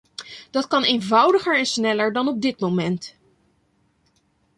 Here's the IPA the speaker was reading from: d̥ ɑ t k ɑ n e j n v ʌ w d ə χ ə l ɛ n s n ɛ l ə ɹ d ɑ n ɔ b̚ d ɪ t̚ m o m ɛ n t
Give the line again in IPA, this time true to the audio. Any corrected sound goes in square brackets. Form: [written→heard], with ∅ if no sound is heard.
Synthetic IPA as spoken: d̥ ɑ t k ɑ n e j n v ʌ w d ə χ ə [l→ɹ] ɛ n s n ɛ l ə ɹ d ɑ n ɔ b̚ d ɪ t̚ m o m ɛ n t